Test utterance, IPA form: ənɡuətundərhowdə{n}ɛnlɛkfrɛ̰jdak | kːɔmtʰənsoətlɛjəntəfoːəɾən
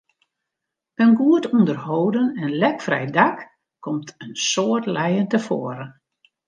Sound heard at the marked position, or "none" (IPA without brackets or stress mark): n